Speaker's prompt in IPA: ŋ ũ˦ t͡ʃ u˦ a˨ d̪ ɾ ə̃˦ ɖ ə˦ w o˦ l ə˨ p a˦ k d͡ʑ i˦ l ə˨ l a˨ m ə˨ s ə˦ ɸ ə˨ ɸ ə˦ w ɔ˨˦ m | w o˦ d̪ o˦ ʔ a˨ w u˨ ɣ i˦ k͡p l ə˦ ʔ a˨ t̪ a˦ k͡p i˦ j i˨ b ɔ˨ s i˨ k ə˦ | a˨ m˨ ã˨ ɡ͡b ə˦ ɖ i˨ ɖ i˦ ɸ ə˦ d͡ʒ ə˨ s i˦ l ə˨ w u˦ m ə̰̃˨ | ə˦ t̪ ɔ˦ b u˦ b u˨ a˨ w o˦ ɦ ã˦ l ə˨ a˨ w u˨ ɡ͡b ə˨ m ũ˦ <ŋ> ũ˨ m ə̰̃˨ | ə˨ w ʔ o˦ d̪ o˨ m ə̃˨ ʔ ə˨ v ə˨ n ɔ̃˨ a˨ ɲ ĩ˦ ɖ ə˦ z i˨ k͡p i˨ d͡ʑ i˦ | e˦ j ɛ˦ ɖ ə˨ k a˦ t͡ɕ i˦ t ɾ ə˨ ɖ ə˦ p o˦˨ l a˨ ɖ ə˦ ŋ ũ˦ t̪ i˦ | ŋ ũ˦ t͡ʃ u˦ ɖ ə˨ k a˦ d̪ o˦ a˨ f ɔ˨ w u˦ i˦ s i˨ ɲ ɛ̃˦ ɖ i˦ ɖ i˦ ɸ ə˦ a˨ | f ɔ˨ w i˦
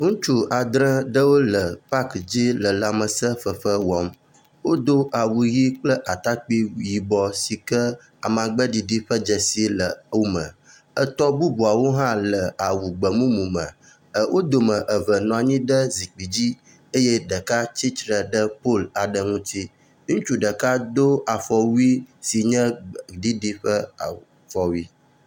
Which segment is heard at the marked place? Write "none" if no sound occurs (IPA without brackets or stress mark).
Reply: m